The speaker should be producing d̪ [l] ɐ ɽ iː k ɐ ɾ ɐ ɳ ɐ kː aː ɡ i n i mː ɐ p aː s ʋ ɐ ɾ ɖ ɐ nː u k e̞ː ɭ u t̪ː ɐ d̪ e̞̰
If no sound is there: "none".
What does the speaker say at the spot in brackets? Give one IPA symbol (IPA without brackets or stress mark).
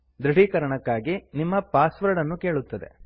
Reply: ɾ